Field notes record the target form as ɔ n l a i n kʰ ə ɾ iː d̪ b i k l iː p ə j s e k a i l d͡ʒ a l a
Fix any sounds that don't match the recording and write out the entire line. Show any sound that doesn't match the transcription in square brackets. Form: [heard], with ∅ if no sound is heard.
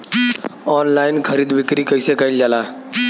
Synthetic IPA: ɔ n l a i n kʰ ə ɾ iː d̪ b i k [ɾ] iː [k] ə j s e k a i l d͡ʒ a l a

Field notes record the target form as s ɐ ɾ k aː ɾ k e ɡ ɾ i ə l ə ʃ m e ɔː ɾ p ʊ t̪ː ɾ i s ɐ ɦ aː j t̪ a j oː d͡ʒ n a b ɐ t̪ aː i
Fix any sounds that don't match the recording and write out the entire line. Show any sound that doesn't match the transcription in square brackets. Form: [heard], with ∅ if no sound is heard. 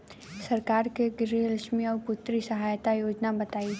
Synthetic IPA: s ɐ ɾ k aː ɾ k e ɡ ɾ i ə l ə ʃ m [i] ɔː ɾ p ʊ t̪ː ɾ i s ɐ ɦ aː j t̪ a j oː d͡ʒ n a b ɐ t̪ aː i

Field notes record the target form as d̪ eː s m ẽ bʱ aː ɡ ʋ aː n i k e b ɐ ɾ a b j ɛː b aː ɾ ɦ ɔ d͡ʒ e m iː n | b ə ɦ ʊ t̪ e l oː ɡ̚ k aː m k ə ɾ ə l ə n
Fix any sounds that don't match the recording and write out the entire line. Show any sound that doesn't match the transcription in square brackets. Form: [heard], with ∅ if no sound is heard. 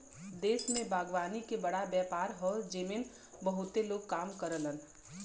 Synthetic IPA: d̪ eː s m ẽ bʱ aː ɡ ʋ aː n i k e b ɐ [ɽ] a b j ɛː [p] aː ɾ ɦ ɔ d͡ʒ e m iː n | b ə ɦ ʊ t̪ e l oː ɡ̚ k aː m k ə ɾ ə l ə n

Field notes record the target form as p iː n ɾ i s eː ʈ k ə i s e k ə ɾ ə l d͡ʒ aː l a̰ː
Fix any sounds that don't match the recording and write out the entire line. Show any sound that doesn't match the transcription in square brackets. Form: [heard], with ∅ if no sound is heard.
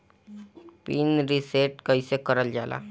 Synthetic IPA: p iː n ɾ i s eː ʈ k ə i s e k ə ɾ ə l d͡ʒ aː l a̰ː

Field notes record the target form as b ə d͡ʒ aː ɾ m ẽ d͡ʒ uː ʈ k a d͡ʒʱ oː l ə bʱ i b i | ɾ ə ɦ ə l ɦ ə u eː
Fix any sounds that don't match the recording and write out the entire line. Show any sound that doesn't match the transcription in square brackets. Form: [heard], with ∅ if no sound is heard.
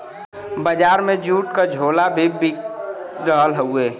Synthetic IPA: b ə d͡ʒ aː ɾ m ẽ d͡ʒ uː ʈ k a d͡ʒʱ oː l [a] bʱ i b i | ɾ ə ɦ ə l ɦ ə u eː

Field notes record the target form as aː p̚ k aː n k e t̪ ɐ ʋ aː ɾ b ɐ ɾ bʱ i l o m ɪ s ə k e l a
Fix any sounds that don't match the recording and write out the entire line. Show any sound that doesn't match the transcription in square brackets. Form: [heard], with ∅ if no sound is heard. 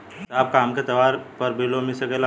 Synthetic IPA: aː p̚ k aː [m] k e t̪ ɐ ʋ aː ɾ [p] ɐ ɾ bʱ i l o m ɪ s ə k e l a

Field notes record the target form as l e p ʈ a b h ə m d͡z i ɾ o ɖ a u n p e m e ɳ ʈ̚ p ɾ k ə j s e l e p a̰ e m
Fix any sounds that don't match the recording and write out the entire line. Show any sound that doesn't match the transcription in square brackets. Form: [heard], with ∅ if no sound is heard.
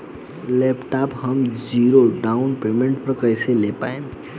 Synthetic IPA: l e p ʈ a [p] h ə m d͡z i ɾ o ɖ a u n p e m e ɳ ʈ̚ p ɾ k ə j s e l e p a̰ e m

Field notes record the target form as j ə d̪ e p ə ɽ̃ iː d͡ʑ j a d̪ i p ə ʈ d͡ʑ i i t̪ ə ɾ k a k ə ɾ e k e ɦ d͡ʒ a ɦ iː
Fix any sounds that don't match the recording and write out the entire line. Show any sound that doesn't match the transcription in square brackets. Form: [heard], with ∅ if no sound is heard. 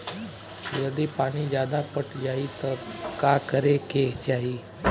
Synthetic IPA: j ə d̪ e p [a] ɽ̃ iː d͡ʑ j a d̪ [a] p ə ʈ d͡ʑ [a] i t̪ ə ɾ k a k ə ɾ e k e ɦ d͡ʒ a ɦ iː

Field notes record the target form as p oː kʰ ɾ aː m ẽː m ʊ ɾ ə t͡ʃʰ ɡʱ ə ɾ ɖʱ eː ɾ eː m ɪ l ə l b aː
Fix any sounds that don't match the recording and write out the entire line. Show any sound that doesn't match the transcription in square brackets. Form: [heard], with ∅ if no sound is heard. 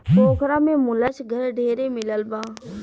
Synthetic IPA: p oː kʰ ɾ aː m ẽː m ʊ [l] ə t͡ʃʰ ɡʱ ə ɾ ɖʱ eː ɾ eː m ɪ l ə l b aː

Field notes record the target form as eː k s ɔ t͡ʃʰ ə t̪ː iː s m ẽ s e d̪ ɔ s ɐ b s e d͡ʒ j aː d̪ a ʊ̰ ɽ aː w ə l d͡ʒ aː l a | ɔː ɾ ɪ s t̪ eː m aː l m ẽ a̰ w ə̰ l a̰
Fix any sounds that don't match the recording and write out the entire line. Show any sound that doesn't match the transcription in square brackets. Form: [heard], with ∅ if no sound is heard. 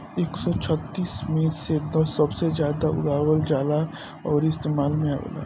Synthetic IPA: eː k s ɔ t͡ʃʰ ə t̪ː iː s m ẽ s e d̪ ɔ s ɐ b s e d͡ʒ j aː d̪ a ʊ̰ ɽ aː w ə l d͡ʒ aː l a | ɔː ɾ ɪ s t̪ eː m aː l m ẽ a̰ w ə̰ l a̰

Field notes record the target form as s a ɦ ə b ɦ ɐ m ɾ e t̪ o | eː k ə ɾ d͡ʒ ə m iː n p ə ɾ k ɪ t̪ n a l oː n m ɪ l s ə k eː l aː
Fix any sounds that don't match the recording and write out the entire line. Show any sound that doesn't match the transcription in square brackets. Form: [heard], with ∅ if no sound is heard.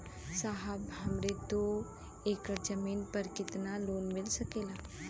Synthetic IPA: s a ɦ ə b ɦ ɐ m ɾ e t̪ o | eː k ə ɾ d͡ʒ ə m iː n p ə ɾ k ɪ t̪ n a l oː n m ɪ l s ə k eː l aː

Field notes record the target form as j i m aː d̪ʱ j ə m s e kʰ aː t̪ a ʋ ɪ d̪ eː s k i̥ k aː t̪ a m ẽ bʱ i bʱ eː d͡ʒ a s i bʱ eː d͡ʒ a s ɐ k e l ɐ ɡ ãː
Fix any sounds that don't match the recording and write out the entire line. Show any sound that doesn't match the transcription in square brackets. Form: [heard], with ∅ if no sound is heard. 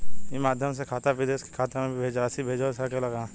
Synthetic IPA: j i m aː d̪ʱ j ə m s e kʰ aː t̪ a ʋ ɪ d̪ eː s k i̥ [kʰ] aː t̪ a m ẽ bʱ i bʱ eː d͡ʒ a s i bʱ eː d͡ʒ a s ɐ k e l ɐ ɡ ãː

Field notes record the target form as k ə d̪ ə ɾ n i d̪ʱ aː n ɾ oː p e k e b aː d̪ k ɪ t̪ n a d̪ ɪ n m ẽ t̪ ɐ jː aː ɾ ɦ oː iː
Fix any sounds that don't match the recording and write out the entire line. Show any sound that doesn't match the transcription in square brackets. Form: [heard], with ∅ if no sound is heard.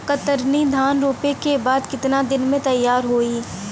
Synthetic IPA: k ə [t̪] ə ɾ n i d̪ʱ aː n ɾ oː p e k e b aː d̪ k ɪ t̪ n a d̪ ɪ n m ẽ t̪ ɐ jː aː ɾ ɦ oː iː

